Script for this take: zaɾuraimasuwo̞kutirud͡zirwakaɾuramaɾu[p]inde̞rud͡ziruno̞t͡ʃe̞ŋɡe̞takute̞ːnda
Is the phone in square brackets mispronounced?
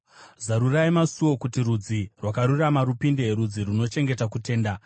no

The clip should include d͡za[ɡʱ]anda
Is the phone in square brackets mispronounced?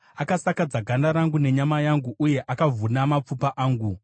no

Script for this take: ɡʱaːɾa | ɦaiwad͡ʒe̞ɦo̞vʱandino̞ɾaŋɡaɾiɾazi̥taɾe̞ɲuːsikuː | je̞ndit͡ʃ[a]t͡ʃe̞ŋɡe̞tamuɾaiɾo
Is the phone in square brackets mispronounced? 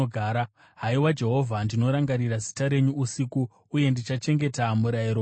no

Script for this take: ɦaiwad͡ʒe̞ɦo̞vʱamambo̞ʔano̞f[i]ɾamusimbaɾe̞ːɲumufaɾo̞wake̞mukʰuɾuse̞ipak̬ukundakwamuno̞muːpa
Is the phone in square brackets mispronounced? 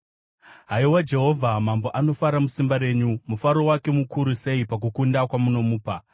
yes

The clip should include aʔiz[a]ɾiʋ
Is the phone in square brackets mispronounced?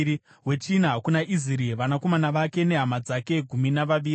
yes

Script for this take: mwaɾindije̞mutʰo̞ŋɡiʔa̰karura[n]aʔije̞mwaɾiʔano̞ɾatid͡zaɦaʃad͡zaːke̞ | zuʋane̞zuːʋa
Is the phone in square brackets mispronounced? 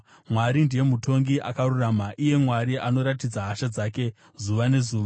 yes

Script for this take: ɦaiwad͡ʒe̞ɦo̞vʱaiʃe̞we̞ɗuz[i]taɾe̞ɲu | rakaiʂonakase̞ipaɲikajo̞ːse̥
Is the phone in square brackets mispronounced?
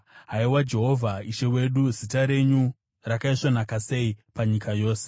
no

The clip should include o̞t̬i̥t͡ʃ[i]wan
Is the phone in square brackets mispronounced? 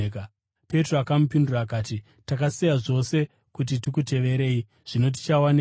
yes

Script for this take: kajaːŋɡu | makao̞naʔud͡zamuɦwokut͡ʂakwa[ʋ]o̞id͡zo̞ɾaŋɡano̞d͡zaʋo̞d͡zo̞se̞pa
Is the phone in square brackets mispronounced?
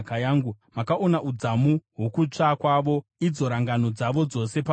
no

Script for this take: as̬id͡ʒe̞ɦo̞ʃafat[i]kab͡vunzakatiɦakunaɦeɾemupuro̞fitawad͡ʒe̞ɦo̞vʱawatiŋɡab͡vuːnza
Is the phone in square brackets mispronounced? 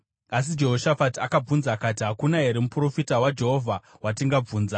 yes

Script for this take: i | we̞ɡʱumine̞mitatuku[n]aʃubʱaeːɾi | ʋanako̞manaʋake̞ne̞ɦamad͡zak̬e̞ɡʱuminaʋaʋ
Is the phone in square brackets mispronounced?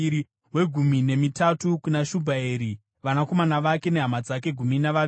no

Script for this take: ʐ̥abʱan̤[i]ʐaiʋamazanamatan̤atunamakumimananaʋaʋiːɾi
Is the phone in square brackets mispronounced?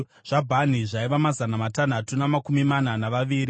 no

